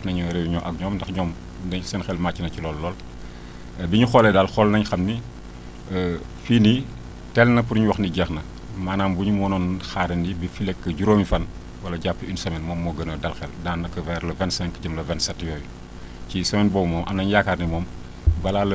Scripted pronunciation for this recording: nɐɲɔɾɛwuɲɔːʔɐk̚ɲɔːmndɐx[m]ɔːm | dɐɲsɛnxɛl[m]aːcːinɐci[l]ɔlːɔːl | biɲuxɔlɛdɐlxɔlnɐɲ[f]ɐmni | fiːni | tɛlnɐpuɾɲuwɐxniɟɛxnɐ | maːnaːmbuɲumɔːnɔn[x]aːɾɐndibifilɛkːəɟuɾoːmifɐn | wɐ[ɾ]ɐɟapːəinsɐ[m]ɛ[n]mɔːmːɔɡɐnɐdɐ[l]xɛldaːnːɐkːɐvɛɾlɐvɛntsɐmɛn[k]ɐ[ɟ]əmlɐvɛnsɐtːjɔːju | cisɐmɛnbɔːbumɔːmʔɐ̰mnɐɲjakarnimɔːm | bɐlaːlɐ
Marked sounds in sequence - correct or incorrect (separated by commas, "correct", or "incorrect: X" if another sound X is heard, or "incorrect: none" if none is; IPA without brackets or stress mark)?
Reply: incorrect: ɲ, correct, correct, incorrect: x, correct, incorrect: l, correct, correct, correct, correct, correct